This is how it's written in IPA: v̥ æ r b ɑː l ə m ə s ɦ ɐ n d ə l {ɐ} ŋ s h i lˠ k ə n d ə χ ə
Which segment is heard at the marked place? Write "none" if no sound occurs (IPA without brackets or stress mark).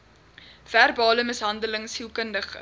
ə